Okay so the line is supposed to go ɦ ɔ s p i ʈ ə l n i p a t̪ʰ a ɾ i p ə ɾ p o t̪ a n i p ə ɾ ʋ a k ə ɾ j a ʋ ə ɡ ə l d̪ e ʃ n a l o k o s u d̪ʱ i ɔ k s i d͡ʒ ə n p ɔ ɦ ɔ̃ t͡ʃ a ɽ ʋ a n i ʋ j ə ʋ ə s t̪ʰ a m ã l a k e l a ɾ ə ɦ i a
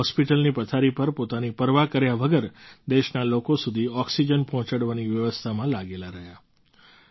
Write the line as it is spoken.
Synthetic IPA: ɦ ɔ s p i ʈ ə l n i p ə t̪ʰ a ɾ i p ə ɾ p o t̪ a n i p ə ɾ ʋ a k ə ɾ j a ʋ ə ɡ ə ɾ d̪ e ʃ n a l o k o s u d̪ʱ i ɔ k s i d͡ʒ ə n p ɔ ɦ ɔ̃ t͡ʃ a ɽ ʋ a n i ʋ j ə ʋ ə s t̪ʰ a m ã l a ɡ e l a ɾ ə ɦ j a